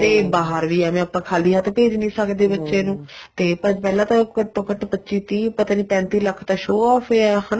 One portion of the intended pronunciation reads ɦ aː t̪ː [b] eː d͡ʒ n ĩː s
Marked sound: incorrect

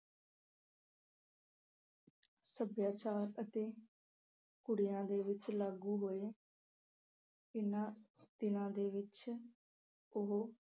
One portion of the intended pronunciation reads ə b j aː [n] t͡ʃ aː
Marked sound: incorrect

